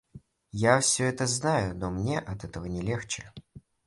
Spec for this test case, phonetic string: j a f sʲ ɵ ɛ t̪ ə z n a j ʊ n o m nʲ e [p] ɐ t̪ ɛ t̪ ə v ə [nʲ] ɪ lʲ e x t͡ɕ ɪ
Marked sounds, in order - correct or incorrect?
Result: incorrect: ʔ, correct

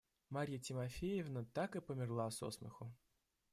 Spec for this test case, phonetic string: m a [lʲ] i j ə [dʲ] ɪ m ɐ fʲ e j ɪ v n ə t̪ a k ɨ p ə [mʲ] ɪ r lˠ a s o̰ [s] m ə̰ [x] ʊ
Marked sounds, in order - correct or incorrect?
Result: incorrect: ɾʲ, incorrect: tʲ, correct, correct, correct

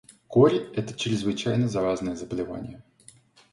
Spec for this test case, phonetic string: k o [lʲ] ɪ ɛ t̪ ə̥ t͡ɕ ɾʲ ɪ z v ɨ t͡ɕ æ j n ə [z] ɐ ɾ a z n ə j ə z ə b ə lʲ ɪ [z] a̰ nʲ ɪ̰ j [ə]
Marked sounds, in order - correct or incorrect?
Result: incorrect: ɾʲ, correct, incorrect: v, correct

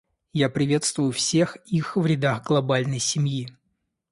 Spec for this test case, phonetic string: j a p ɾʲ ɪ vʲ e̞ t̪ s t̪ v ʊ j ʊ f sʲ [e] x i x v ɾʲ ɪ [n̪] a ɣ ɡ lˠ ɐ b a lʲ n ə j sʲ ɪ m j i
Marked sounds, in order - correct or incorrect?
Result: correct, incorrect: d̪

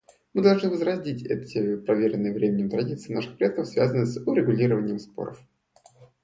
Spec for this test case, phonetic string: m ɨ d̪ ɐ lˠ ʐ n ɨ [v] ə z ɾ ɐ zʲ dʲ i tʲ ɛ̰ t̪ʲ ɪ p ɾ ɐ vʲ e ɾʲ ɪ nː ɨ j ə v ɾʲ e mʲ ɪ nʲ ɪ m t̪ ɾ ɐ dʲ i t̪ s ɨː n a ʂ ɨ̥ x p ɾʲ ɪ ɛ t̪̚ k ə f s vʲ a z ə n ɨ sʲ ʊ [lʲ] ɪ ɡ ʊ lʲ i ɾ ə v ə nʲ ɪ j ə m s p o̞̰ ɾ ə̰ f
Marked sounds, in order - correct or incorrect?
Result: correct, incorrect: ɾʲ

